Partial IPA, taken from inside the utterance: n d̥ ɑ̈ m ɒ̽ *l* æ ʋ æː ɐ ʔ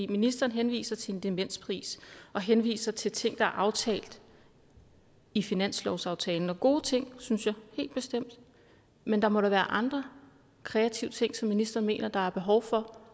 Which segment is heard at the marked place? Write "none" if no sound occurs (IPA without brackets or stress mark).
ɾ